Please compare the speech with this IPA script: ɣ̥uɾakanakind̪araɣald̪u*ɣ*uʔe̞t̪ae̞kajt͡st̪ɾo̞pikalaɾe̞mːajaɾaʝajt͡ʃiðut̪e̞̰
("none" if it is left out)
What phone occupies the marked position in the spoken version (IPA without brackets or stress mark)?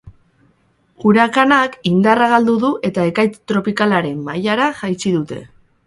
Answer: ð